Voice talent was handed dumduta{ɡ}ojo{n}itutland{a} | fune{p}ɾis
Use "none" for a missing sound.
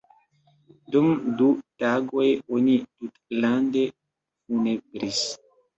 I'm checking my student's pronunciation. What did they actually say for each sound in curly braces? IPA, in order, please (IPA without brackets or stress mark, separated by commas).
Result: ɡ, n, e, b